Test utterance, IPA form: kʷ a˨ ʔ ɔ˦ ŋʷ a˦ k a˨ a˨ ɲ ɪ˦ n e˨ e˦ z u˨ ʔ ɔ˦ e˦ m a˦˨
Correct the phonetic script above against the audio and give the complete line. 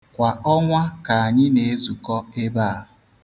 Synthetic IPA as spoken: kʷ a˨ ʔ ɔ˦ ŋʷ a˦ k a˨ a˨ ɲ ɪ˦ n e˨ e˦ z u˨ k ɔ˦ e˦ b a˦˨